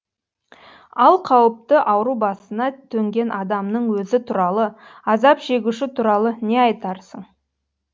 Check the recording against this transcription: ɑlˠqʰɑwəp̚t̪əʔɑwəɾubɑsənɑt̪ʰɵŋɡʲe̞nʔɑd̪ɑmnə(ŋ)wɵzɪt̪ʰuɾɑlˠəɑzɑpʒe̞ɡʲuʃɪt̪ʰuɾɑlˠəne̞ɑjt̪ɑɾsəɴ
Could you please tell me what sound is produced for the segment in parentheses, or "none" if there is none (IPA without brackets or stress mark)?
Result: ɴ